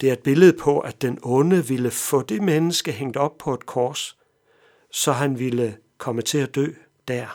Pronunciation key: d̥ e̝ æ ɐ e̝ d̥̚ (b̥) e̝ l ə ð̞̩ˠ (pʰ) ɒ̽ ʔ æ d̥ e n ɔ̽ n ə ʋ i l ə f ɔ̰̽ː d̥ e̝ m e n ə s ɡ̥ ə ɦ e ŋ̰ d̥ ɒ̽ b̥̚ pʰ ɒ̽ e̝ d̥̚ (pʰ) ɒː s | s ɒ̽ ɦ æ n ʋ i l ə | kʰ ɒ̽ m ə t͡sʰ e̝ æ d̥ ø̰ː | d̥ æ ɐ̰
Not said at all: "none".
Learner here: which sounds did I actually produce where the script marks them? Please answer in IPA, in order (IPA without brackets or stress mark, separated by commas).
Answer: b̥, pʰ, kʰ